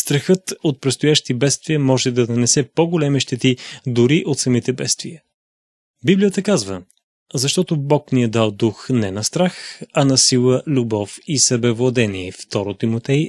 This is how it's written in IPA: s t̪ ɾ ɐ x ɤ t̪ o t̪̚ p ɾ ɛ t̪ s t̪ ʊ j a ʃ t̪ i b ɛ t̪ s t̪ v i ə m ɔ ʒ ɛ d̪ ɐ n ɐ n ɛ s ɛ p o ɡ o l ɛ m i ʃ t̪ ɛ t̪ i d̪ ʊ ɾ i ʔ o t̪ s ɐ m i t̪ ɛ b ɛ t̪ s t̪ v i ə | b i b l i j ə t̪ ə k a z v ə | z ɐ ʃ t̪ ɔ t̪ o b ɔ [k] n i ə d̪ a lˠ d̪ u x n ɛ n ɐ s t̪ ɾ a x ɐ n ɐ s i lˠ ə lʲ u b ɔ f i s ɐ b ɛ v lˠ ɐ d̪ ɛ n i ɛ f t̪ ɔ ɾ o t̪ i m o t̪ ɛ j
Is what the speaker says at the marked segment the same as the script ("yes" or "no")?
yes